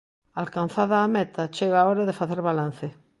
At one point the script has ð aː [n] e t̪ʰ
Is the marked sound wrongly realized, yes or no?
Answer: yes